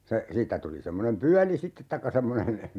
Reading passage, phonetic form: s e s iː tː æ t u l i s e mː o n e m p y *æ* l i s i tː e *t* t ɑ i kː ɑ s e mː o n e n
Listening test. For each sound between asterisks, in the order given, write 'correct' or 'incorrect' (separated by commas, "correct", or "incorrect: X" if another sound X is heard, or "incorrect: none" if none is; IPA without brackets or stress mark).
correct, correct